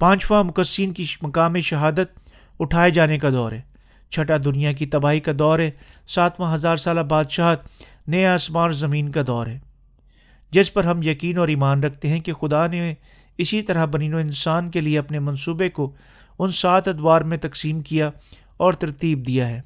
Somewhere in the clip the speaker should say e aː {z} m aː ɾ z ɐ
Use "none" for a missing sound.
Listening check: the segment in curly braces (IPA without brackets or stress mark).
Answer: s